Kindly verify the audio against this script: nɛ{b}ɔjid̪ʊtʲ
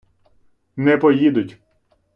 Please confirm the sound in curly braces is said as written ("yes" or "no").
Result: no